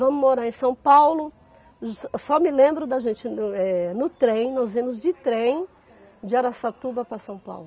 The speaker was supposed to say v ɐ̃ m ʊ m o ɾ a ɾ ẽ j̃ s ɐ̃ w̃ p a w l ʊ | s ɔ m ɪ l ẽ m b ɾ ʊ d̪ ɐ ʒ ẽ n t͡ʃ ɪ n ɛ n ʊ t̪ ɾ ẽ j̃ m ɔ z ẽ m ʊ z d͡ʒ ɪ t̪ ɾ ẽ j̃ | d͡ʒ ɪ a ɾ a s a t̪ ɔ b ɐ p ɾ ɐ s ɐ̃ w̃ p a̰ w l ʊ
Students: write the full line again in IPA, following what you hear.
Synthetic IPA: v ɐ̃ m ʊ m o ɾ a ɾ ẽ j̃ s ɐ̃ w̃ p a w l ʊ | s ɔ m ɪ l ẽ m b ɾ ʊ d̪ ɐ ʒ ẽ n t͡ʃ ɪ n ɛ n ʊ t̪ ɾ ẽ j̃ n ɔ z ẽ m ʊ z d͡ʒ ɪ t̪ ɾ ẽ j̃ | d͡ʒ ɪ a ɾ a s a t̪ u b ɐ p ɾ ɐ s ɐ̃ w̃ p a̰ w l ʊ